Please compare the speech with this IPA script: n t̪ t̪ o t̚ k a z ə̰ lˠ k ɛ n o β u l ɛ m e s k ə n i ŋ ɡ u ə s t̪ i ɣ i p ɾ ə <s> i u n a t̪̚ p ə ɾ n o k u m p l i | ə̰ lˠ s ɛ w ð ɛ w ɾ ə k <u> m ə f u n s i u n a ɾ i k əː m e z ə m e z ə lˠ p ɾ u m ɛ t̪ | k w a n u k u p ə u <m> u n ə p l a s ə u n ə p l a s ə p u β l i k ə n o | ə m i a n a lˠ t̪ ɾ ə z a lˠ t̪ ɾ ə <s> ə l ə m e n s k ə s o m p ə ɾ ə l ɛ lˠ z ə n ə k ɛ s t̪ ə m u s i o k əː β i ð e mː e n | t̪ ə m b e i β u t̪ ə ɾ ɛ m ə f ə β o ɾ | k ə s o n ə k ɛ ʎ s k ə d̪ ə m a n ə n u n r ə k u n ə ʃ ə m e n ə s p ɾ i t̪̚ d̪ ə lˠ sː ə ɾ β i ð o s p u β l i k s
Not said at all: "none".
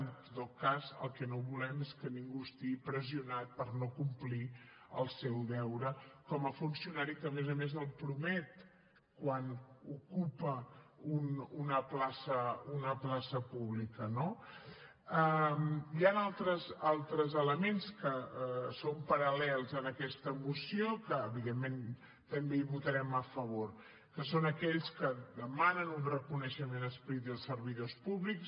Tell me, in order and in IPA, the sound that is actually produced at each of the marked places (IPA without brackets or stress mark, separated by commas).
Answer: z, ɔ, n, z